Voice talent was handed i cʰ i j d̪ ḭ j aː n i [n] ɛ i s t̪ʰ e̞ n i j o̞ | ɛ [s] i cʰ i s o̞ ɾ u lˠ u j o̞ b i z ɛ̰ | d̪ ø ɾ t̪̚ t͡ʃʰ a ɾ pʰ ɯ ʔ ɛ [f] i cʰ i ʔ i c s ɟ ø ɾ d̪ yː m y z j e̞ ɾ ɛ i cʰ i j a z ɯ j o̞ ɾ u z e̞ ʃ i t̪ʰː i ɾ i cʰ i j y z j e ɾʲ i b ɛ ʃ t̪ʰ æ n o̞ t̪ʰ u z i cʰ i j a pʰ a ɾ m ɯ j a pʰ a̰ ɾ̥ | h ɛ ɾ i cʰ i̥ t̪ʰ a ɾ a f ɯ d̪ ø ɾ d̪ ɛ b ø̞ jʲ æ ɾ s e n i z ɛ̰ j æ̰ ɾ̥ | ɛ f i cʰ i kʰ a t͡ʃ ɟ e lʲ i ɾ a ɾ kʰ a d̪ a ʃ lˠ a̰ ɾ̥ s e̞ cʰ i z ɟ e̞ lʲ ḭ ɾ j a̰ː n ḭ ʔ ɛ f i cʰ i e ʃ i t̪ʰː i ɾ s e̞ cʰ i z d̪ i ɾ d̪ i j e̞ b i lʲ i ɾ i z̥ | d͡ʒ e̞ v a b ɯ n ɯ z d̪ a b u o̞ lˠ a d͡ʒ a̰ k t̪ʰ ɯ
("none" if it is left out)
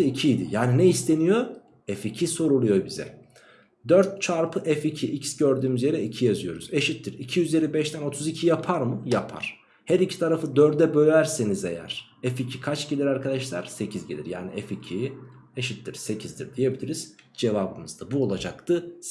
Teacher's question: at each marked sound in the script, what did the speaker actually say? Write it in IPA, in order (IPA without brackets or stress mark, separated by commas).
n, f, f